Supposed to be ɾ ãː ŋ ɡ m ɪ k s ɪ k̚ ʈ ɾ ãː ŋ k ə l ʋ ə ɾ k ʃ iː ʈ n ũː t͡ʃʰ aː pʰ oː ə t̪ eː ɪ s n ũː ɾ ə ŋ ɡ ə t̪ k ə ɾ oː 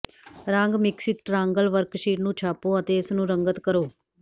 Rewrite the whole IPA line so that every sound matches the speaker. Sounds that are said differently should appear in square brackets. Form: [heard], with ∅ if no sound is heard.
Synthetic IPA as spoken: ɾ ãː ŋ ɡ m ɪ k s ɪ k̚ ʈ ɾ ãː ŋ [ɡ] ə l ʋ ə ɾ k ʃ iː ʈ n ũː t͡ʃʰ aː [p] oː ə t̪ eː ɪ s n ũː ɾ ə ŋ ɡ ə t̪ k ə ɾ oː